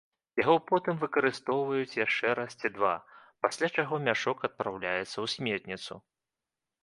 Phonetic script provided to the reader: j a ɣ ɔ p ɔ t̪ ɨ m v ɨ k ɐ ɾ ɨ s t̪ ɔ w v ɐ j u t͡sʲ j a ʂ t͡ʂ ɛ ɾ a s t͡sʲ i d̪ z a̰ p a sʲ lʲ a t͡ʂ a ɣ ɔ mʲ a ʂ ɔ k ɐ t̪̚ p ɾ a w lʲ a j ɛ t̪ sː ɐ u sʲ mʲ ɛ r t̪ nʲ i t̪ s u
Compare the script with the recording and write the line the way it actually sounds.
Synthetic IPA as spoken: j a ɣ ɔ p ɔ t̪ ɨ m v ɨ k ɐ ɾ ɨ s t̪ ɔ w v ɐ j u t͡sʲ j a ʂ t͡ʂ ɛ ɾ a s t͡sʲ i d̪ v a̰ p a sʲ lʲ a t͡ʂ a ɣ ɔ mʲ a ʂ ɔ k ɐ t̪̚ p ɾ a w lʲ a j ɛ t̪ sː ɐ w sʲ mʲ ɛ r t̪ nʲ i t̪ s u